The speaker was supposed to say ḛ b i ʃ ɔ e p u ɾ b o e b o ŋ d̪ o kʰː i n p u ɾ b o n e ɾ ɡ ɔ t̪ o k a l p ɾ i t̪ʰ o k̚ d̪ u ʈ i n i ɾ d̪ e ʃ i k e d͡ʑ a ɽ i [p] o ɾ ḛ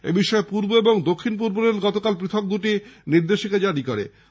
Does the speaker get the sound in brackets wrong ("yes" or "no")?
yes